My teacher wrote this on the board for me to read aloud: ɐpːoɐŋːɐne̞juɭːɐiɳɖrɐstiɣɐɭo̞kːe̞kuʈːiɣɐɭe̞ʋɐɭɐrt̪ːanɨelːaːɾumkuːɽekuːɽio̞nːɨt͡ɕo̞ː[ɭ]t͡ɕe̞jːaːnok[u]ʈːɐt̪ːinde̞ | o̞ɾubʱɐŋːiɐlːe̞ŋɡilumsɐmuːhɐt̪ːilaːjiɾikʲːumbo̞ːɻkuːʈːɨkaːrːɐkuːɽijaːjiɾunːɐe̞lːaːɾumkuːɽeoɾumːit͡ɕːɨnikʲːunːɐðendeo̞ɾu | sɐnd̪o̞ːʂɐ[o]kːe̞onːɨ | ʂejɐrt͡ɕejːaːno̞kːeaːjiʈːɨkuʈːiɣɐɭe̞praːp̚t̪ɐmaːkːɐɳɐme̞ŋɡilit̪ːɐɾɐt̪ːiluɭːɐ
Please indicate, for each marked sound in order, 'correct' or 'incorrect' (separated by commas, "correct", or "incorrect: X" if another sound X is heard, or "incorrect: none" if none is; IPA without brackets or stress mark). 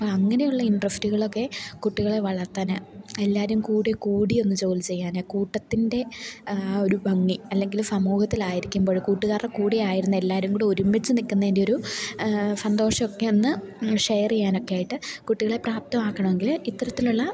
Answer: incorrect: l, incorrect: uː, correct